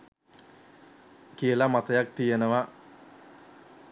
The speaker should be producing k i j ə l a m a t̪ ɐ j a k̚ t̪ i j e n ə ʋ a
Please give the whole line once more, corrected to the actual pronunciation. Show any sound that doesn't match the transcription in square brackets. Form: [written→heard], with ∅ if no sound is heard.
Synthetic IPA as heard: k i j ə l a m a t̪ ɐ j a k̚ t̪ i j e n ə ʋ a